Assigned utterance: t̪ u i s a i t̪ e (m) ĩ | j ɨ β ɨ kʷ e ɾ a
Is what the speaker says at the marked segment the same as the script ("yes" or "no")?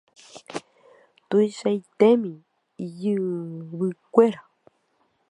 yes